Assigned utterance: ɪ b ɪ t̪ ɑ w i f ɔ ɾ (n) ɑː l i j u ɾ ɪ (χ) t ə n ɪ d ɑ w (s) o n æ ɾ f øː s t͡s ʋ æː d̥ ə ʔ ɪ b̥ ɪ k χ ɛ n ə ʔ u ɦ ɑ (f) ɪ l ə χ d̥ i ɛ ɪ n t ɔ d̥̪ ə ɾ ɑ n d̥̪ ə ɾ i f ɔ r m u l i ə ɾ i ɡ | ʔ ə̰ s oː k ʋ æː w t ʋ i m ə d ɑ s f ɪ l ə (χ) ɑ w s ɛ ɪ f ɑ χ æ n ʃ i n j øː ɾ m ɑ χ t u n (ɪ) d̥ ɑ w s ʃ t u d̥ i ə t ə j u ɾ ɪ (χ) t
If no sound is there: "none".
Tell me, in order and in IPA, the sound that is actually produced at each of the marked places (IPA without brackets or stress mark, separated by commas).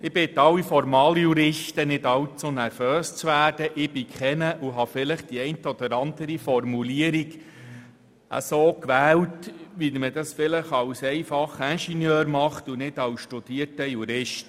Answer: m, ʃ, t͡s, f, χ, ɪ, ʃ